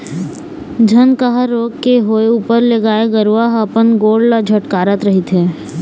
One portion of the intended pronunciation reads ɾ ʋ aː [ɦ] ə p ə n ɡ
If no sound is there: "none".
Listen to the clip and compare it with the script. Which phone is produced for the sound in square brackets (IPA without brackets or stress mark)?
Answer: ɦ